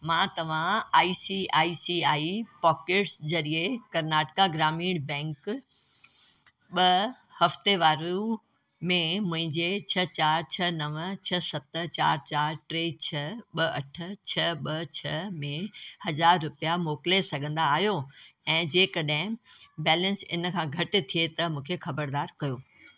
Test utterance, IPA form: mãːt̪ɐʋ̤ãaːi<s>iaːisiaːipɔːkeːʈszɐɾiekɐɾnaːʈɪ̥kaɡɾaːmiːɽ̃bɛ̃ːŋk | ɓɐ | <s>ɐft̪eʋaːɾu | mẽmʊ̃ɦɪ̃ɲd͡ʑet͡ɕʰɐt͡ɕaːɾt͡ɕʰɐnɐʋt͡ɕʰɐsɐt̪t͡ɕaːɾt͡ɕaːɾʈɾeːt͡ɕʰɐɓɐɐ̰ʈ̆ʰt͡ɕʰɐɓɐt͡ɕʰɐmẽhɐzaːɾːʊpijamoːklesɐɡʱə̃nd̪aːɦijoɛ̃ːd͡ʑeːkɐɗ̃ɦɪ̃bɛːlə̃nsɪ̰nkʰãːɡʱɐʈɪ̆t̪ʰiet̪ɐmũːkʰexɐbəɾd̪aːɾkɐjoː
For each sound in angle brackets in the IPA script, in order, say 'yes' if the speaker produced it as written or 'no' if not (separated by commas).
yes, no